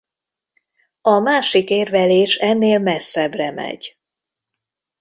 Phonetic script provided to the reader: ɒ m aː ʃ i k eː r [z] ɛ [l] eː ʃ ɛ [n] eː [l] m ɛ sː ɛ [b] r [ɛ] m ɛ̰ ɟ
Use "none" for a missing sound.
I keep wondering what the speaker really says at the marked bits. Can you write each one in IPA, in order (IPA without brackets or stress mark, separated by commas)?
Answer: v, l, nː, l, b, ɛ